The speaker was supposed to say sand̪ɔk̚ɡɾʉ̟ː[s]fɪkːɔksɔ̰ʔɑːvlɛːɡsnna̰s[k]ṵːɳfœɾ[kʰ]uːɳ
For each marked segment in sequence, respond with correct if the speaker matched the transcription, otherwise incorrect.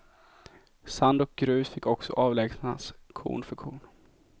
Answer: correct, incorrect: kʰ, correct

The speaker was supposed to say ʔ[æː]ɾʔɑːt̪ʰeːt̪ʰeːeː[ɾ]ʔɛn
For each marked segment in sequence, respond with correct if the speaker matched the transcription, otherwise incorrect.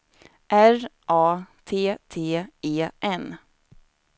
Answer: incorrect: æ, incorrect: none

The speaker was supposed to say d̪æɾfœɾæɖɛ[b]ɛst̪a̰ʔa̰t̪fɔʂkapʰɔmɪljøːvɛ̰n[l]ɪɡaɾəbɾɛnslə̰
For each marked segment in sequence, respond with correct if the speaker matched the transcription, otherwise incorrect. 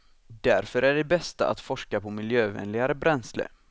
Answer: correct, correct

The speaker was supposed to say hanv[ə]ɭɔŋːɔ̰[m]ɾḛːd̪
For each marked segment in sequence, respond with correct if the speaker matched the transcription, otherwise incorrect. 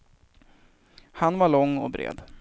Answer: incorrect: a, incorrect: b

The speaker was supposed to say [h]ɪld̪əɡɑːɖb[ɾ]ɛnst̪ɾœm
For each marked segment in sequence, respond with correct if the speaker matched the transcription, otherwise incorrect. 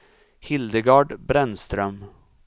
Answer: correct, correct

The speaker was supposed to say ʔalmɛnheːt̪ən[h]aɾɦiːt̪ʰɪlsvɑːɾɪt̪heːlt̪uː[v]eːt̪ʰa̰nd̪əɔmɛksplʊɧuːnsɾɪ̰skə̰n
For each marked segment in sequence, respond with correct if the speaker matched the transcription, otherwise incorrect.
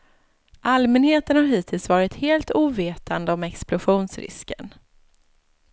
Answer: correct, correct

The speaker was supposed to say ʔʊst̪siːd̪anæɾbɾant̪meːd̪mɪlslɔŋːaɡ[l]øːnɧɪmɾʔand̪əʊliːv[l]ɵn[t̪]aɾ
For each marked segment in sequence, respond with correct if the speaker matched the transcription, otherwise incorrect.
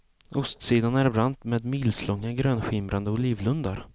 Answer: incorrect: ɾ, correct, incorrect: d̪

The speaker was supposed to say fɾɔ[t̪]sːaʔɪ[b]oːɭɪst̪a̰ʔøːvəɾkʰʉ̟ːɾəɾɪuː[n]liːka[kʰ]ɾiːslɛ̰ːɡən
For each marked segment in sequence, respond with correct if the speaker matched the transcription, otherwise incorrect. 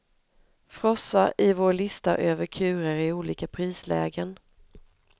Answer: incorrect: none, incorrect: v, incorrect: none, incorrect: pʰ

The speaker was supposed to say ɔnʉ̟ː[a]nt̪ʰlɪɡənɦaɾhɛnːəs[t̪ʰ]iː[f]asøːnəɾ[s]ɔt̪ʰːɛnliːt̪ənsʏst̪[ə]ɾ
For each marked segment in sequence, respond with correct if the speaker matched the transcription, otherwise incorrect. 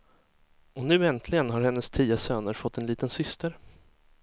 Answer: incorrect: ɛ, correct, incorrect: none, incorrect: f, correct

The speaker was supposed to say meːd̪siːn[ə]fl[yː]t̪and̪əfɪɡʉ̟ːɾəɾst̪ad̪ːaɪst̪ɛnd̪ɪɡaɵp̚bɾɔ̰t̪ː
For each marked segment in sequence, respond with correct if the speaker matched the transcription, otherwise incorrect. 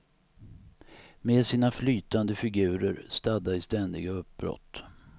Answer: incorrect: a, correct

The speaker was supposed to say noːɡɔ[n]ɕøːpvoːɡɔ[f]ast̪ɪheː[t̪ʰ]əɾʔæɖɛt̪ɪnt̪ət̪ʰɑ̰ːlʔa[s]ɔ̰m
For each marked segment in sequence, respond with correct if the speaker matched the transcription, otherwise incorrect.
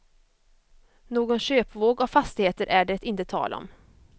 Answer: correct, correct, incorrect: t̪, incorrect: none

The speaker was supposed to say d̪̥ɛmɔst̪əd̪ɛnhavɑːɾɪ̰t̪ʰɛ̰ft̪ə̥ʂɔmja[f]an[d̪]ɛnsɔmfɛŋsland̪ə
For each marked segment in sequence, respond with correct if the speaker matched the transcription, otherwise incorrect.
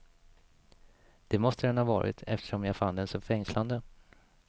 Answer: correct, correct

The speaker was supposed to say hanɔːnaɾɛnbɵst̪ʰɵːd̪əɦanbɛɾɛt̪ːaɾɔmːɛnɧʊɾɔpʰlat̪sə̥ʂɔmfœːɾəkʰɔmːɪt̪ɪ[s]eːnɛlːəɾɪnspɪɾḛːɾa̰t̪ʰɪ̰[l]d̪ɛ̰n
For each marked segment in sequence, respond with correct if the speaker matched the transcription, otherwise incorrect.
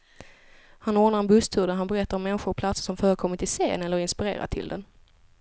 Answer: correct, correct

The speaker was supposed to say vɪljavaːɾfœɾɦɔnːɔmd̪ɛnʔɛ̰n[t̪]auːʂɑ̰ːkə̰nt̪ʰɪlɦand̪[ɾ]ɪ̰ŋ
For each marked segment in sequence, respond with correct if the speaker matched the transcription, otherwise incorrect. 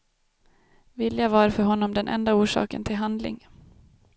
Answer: incorrect: d̪, incorrect: l

